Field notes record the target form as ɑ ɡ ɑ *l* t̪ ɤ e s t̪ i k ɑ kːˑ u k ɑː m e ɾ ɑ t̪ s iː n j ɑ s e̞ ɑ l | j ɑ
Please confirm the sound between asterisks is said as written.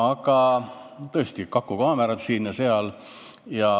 no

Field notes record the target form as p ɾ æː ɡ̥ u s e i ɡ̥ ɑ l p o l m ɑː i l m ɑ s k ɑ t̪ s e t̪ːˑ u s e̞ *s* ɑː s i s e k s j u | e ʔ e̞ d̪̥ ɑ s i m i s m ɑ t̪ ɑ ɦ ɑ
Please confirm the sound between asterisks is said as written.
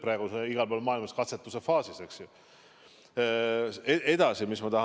no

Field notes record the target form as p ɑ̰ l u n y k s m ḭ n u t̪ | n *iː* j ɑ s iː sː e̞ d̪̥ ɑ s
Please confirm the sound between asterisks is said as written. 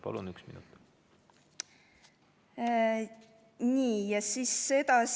yes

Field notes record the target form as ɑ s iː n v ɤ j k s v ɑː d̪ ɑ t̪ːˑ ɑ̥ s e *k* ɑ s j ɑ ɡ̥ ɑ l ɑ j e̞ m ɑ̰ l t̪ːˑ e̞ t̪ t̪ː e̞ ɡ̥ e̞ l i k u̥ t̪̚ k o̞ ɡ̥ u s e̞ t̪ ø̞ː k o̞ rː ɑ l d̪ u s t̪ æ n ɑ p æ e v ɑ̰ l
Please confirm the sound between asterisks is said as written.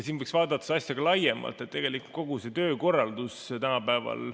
no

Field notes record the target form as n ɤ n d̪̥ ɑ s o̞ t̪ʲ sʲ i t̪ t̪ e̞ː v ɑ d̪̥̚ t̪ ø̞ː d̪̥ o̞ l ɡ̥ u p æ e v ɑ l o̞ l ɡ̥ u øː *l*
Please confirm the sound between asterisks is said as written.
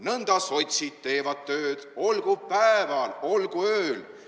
yes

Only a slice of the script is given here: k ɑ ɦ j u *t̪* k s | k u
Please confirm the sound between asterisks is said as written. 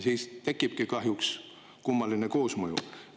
no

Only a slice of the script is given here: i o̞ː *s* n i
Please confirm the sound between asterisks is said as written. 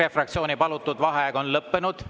no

